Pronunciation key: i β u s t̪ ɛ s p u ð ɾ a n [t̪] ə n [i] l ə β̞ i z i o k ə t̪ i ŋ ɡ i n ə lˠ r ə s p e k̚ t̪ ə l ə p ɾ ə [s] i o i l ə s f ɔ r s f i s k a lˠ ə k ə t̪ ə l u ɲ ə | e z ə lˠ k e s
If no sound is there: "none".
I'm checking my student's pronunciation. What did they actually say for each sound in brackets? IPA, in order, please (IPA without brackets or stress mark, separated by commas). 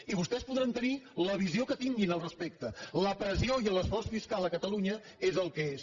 t̪, i, z